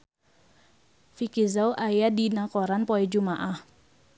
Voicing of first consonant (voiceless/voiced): voiceless